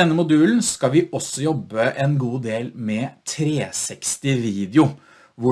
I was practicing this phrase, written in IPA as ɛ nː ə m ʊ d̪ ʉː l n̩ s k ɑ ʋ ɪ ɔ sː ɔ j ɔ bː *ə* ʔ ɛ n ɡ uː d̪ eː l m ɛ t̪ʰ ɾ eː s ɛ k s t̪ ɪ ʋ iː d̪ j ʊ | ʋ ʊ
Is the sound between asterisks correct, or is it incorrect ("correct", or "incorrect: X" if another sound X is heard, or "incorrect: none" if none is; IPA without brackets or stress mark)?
correct